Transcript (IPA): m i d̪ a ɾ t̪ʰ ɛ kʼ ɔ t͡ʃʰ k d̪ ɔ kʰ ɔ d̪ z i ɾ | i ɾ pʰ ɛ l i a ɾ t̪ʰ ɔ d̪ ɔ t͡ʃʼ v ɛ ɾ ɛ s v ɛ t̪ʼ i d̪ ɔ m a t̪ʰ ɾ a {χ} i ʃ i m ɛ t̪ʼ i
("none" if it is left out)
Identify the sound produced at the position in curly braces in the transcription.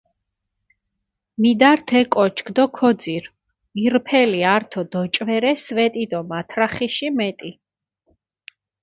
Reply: χ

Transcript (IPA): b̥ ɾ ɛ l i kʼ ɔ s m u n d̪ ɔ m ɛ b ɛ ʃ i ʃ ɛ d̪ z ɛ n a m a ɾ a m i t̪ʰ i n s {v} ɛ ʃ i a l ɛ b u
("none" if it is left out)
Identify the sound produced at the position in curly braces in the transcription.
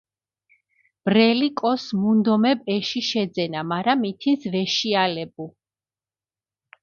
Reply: v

